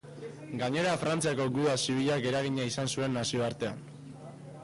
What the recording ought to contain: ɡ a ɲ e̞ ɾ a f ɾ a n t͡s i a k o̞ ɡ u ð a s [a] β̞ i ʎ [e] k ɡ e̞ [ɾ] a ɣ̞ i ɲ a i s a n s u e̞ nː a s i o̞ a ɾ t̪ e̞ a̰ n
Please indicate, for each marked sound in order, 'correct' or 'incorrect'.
incorrect, incorrect, correct

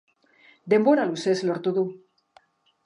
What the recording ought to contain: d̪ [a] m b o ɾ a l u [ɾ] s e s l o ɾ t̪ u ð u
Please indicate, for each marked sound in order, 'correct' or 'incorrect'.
incorrect, incorrect

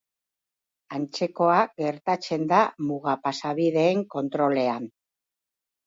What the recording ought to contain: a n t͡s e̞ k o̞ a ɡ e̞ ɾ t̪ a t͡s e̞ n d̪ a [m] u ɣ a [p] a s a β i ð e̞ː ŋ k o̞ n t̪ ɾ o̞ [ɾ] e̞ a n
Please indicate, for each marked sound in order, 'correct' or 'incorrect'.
correct, correct, incorrect

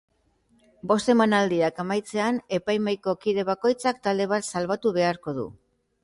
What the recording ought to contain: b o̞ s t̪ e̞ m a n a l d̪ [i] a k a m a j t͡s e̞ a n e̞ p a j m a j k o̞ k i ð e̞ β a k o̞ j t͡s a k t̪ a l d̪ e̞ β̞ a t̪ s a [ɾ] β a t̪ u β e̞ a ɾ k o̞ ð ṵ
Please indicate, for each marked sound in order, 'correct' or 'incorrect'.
correct, incorrect

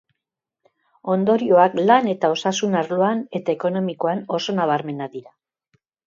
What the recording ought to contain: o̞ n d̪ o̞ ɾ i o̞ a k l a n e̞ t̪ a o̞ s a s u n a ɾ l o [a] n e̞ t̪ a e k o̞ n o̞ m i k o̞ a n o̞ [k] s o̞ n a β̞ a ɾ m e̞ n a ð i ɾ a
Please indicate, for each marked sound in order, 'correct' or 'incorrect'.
correct, incorrect

